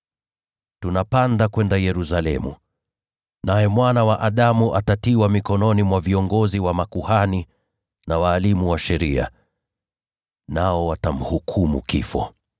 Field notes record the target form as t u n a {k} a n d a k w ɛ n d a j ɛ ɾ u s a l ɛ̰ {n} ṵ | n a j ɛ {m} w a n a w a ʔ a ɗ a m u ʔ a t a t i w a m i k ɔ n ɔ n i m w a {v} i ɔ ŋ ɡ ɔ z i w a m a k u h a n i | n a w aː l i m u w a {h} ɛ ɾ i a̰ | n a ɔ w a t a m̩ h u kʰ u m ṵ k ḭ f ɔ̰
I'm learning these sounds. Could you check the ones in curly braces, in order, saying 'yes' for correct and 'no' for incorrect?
no, no, yes, yes, no

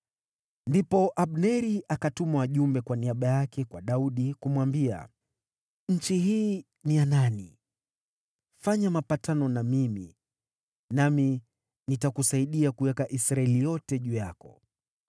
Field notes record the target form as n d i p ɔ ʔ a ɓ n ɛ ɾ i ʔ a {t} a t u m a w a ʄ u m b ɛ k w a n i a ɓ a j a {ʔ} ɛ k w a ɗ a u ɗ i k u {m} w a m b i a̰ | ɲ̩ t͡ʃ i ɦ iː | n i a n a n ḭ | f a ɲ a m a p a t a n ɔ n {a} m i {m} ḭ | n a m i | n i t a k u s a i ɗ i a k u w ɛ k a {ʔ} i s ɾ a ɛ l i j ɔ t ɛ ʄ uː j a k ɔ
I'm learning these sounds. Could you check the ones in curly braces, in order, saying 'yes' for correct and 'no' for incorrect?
no, no, yes, yes, yes, yes

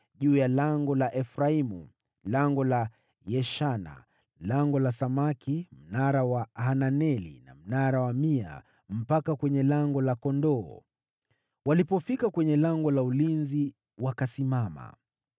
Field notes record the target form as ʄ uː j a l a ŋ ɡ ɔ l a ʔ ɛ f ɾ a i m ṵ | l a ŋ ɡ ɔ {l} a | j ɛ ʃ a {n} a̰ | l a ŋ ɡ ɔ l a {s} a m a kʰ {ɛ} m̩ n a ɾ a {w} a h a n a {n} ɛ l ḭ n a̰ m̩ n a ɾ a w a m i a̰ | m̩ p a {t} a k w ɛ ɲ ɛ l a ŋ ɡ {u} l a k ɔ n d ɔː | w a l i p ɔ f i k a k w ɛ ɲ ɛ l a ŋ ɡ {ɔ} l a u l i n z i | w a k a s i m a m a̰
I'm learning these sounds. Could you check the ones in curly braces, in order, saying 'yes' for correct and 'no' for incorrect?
yes, yes, yes, no, yes, yes, no, no, yes

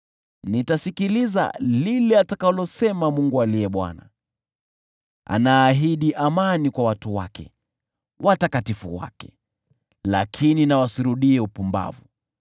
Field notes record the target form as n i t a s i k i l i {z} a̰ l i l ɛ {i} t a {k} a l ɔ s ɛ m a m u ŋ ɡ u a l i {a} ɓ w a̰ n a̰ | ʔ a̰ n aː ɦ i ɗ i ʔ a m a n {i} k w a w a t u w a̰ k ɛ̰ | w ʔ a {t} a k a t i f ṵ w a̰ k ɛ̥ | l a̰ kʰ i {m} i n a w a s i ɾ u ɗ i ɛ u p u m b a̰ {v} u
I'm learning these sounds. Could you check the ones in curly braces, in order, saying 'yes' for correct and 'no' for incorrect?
yes, no, yes, no, yes, yes, no, yes

